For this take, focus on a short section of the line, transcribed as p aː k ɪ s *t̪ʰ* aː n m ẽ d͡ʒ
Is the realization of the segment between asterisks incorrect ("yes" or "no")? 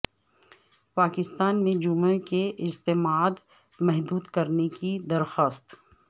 yes